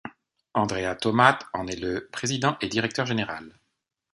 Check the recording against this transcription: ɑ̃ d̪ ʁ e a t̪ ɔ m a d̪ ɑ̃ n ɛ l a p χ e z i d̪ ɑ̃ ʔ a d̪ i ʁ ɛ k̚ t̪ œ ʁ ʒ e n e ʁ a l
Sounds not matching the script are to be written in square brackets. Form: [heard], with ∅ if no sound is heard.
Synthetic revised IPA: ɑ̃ d̪ ʁ e a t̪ ɔ m a [t̪] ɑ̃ n ɛ l [ə] p χ e z i d̪ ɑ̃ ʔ [e] d̪ i ʁ ɛ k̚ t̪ œ ʁ ʒ e n e ʁ a l